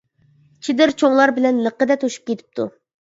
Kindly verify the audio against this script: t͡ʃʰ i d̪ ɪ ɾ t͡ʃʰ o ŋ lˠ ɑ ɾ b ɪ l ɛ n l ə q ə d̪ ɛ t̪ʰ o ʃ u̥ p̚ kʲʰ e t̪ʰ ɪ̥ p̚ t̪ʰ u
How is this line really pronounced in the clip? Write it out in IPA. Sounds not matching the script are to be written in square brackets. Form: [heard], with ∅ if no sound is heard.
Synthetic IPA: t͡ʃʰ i d̪ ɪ ɾ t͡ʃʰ o ŋ lˠ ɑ ɾ b ɪ l ɛ n l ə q ə d̪ ɛ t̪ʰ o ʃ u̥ p̚ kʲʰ e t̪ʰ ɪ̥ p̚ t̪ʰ u

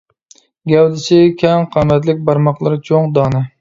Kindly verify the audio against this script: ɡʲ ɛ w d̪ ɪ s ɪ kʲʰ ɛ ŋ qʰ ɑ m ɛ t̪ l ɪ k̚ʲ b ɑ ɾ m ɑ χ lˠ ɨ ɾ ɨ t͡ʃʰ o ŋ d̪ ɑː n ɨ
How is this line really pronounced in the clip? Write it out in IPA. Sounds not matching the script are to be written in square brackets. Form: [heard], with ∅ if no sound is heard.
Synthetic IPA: ɡʲ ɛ w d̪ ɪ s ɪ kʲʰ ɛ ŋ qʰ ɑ m ɛ t̪ l ɪ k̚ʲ b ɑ ɾ m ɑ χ lˠ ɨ ɾ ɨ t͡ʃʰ o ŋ d̪ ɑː n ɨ

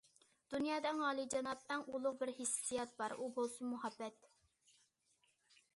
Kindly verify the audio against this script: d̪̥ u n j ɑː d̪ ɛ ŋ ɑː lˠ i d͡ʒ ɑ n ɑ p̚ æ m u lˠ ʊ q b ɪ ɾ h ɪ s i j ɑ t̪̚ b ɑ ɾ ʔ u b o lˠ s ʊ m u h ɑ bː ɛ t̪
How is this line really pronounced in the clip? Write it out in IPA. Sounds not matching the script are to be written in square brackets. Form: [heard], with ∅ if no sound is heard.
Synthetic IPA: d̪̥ u n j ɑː d̪ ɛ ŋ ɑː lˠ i d͡ʒ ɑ n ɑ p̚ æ [ŋ] u lˠ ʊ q b ɪ ɾ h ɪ s i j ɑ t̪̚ b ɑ ɾ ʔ u b o lˠ s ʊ m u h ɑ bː ɛ t̪

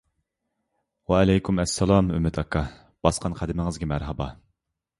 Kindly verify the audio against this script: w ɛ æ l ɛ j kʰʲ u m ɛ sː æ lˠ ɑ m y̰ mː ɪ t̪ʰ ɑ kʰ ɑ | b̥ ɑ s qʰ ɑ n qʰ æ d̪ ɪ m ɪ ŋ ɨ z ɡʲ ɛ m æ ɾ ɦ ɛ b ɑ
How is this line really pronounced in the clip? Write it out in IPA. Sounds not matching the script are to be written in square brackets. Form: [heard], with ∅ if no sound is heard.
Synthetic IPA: w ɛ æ l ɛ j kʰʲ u m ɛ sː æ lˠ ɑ m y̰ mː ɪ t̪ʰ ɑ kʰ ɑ | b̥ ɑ s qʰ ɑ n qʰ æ d̪ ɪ m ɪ ŋ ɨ z ɡʲ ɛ m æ ɾ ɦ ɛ b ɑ

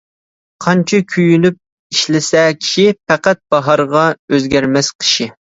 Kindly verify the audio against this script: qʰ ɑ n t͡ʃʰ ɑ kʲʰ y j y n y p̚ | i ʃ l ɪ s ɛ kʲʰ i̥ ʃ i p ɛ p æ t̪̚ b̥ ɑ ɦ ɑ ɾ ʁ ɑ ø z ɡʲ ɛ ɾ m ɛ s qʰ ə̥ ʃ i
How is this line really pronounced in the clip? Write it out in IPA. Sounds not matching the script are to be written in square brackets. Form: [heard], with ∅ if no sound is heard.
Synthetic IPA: qʰ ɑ n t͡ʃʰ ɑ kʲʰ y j y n y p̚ | i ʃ l ɪ s ɛ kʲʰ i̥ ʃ i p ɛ [q] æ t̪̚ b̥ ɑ ɦ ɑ ɾ ʁ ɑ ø z ɡʲ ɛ ɾ m ɛ s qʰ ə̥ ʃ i

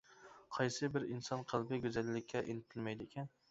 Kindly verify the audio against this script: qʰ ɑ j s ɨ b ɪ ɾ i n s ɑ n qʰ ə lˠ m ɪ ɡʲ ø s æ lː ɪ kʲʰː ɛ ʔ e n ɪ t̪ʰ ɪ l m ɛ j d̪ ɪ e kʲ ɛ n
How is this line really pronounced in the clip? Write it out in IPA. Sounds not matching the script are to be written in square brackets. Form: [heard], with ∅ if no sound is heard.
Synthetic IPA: qʰ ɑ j s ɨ b ɪ ɾ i n s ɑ n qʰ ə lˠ [b] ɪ ɡʲ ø [z] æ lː ɪ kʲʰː ɛ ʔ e n ɪ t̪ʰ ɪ l m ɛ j d̪ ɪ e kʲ ɛ n

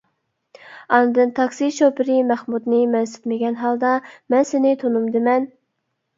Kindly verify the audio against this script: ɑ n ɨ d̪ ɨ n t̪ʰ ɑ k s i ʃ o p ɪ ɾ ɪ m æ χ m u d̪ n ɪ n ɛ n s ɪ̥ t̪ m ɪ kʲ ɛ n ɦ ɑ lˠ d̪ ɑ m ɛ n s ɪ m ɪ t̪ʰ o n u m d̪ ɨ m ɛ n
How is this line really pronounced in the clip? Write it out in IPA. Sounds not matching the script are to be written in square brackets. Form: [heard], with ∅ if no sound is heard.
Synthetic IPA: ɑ n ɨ d̪ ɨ n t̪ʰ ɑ k s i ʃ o p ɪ ɾ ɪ m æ χ m u d̪ n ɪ [m] ɛ n s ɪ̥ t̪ m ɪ [ɡʲ] ɛ n ɦ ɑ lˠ d̪ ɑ m ɛ n s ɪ [n] ɪ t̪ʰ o n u m d̪ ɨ m ɛ n

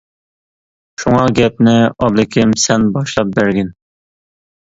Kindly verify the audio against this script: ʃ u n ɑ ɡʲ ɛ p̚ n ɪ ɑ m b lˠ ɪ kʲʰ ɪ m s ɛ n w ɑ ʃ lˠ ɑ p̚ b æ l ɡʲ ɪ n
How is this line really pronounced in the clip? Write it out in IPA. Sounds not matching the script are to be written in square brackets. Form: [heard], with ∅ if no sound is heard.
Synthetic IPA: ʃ u [ŋ] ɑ ɡʲ ɛ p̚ n ɪ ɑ [∅] b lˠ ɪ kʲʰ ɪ m s ɛ n [b] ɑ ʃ lˠ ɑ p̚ b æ [ɾ] ɡʲ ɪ n

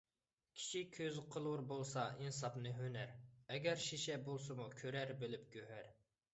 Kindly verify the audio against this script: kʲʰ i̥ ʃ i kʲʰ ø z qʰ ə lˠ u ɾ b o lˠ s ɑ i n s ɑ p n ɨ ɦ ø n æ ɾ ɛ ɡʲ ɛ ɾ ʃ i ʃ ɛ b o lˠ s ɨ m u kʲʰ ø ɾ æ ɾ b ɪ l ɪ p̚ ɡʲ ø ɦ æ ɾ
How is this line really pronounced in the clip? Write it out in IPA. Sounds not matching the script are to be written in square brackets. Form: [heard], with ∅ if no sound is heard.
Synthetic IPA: kʲʰ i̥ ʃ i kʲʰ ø z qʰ ə lˠ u ɾ b o lˠ s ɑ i n s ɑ p n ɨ ɦ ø n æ ɾ ɛ ɡʲ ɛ ɾ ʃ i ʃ ɛ b o lˠ s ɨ m u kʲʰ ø ɾ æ ɾ b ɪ l ɪ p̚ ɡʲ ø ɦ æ ɾ

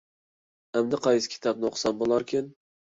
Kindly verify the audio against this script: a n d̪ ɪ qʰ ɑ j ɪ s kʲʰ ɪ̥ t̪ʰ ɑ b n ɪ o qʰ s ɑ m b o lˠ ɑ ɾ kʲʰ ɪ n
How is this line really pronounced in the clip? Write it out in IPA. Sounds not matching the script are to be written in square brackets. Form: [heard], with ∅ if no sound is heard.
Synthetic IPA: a [m] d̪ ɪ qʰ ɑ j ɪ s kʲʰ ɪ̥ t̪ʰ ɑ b n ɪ o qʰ s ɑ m b o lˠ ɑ ɾ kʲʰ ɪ n

